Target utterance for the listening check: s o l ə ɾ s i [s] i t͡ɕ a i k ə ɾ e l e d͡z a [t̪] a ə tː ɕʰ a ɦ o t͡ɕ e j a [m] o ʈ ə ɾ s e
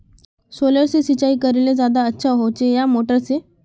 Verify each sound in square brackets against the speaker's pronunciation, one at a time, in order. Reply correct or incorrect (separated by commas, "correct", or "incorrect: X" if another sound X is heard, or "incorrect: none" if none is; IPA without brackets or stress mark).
correct, incorrect: d̪, correct